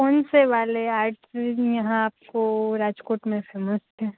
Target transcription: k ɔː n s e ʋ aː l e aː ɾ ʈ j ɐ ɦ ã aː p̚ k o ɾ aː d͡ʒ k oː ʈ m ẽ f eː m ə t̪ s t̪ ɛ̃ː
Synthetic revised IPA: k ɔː n s e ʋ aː l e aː ɾ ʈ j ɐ ɦ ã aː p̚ k o ɾ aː d͡ʒ k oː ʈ m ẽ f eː m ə s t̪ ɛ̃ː